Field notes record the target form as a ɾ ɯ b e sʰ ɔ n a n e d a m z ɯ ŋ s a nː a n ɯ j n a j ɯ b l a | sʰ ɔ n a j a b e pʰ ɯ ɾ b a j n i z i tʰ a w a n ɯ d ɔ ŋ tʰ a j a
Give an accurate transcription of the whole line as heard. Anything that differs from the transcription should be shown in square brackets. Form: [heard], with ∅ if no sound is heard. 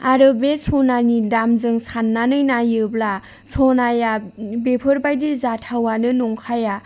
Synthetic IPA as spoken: a ɾ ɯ b e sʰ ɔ n a n [i] d a m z ɯ ŋ s a nː a n ɯ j n a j ɯ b l a | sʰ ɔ n a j a b e pʰ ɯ ɾ b a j [d] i z [a] tʰ a w a n ɯ [n] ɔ ŋ [kʰ] a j a